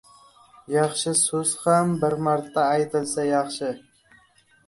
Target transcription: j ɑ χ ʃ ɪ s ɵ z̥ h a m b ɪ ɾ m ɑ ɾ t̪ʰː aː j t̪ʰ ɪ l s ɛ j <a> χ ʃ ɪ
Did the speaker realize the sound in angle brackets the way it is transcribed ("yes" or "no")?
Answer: no